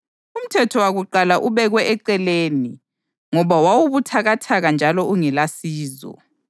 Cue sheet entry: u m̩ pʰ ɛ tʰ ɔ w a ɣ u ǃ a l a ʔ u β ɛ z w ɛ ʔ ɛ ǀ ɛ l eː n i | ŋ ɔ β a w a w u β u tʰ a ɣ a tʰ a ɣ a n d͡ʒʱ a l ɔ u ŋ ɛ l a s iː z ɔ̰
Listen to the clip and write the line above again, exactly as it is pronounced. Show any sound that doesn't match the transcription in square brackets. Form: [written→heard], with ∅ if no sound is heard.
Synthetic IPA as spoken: u m̩ [pʰ→tʰ] ɛ tʰ ɔ w a ɣ u ǃ a l a ʔ u β ɛ [z→ɣ] w ɛ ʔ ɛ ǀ ɛ l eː n i | ŋ ɔ β a w a w u β u tʰ a ɣ a tʰ a ɣ a n d͡ʒʱ a l ɔ u ŋ ɛ l a s iː z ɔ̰